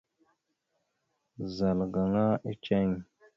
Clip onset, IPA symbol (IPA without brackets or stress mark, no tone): z